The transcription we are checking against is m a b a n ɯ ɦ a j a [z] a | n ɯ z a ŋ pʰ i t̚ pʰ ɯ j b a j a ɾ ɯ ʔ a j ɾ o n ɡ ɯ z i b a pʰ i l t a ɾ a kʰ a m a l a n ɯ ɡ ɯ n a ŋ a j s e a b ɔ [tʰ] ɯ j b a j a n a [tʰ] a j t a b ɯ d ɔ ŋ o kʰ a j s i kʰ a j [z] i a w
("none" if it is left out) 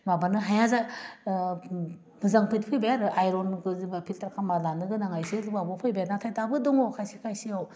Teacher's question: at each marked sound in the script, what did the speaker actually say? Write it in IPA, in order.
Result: z, pʰ, tʰ, s

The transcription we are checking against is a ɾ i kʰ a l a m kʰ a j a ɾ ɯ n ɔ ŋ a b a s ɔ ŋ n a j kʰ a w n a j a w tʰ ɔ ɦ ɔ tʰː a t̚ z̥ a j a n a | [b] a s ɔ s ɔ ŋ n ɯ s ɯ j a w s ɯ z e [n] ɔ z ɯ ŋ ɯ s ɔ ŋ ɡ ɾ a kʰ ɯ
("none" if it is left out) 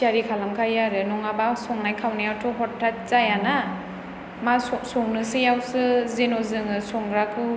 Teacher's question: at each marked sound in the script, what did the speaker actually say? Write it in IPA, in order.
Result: m, n

